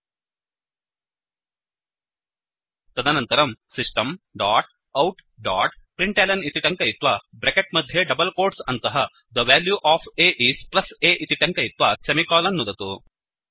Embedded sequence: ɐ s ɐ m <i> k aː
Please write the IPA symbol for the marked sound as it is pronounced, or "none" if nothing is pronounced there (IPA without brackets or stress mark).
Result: i